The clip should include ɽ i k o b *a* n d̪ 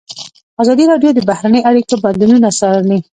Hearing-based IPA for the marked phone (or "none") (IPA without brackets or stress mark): a